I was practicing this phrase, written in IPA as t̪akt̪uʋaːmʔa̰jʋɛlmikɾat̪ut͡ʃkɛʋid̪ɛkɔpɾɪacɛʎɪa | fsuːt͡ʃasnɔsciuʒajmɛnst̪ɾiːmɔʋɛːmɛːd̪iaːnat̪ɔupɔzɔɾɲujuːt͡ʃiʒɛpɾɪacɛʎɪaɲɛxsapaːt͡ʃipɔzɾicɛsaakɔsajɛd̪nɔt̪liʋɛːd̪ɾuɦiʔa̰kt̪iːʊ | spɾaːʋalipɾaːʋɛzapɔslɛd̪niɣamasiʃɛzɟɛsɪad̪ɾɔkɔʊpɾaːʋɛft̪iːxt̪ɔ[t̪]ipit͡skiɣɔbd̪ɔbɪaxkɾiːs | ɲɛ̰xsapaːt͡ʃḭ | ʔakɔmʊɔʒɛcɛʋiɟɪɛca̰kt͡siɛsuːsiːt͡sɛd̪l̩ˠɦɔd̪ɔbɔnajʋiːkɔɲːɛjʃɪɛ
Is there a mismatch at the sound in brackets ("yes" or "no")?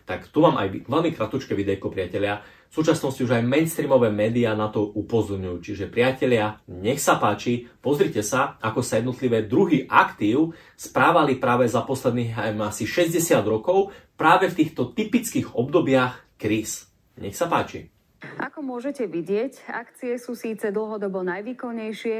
no